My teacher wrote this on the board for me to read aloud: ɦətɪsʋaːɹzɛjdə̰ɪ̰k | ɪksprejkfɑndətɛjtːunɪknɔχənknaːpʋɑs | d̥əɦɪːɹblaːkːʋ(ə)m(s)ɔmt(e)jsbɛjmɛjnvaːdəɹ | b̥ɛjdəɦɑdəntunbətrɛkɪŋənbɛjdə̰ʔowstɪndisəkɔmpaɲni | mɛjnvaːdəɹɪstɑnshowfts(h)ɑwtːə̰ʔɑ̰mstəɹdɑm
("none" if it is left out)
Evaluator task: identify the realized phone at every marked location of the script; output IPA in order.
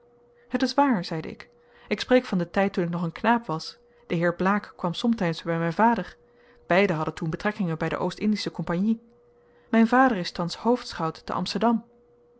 ɑ, s, ɛ, χ

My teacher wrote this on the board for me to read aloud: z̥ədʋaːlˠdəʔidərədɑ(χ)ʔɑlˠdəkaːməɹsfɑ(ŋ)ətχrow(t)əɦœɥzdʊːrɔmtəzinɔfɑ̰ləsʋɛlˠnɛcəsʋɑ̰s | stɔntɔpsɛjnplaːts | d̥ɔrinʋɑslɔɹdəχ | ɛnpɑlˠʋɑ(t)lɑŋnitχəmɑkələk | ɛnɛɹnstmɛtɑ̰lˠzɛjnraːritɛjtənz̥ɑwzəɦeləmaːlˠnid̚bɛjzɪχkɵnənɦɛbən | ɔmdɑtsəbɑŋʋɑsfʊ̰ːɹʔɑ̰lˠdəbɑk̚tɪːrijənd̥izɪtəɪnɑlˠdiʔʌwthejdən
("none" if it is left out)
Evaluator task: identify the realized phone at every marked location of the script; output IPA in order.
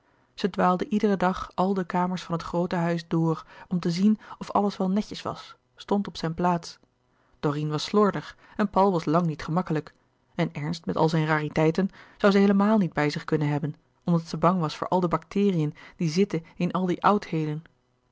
χ, n, t, s

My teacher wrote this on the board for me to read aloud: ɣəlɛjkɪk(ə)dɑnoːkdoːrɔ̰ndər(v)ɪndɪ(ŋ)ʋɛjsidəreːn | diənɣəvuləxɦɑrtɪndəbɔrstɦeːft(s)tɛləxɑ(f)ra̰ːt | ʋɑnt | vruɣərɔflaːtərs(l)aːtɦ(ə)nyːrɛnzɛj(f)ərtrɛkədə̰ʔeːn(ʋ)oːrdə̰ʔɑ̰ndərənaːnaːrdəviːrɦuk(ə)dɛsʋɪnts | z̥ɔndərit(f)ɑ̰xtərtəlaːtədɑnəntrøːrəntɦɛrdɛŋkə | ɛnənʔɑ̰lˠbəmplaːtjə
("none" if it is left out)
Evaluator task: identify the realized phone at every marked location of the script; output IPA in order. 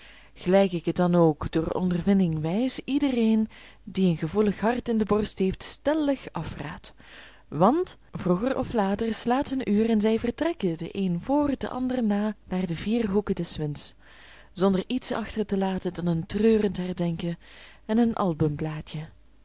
ə, v, ŋ, s, f, l, ə, v, v, ə, s

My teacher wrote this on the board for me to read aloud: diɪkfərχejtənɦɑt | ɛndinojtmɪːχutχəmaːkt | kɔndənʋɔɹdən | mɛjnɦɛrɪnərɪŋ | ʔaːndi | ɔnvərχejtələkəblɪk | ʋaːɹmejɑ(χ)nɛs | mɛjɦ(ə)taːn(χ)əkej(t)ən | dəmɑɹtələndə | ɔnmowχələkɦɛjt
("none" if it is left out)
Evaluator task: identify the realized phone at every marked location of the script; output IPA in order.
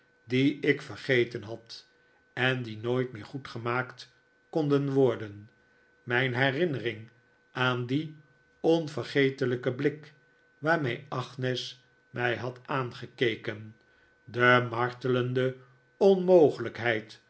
χ, ɑ, χ, k

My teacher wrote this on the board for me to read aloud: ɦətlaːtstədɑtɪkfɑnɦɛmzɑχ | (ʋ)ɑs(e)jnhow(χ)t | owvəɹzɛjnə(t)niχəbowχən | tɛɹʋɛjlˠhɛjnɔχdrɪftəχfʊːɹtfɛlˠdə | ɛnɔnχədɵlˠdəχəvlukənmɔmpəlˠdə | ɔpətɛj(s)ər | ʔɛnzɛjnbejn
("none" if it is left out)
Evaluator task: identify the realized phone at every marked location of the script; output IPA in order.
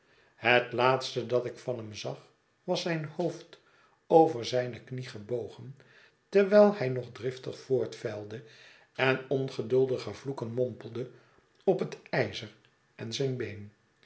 ʋ, ɛ, f, k, z

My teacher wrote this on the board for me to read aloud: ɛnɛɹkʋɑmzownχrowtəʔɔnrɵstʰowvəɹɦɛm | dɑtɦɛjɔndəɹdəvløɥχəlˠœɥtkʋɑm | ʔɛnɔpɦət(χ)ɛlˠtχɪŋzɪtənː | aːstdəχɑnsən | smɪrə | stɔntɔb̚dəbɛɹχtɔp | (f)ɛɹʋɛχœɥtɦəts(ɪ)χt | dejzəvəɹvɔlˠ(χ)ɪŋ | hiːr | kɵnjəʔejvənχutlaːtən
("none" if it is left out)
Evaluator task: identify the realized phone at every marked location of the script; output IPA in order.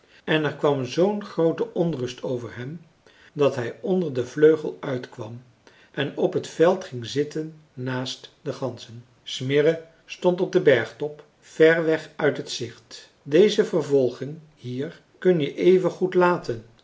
f, f, ɪ, χ

